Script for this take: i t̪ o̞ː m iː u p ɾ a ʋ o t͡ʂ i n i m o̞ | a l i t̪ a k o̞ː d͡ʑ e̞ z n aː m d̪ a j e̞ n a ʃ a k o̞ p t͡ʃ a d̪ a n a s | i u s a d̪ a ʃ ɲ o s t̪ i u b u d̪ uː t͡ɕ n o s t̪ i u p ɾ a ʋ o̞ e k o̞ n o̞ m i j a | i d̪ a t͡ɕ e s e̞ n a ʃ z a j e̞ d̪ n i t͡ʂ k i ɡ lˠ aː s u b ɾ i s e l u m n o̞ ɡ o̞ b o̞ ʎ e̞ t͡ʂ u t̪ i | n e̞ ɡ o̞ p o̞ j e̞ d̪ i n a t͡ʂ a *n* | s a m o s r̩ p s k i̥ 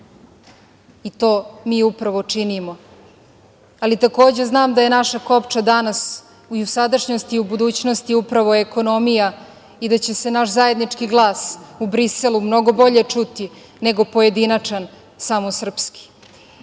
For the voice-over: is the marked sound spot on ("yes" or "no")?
yes